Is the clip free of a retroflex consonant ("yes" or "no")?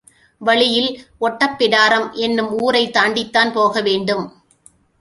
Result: no